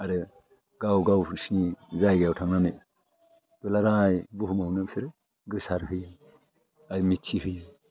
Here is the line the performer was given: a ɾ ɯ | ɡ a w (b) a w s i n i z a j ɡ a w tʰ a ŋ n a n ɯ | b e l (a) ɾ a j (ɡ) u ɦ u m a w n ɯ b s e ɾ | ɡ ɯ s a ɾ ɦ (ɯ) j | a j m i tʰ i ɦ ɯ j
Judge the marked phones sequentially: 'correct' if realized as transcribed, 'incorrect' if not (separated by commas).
incorrect, correct, incorrect, correct